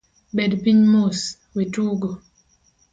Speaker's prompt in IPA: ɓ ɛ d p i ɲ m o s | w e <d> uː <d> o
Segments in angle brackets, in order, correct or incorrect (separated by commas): incorrect, incorrect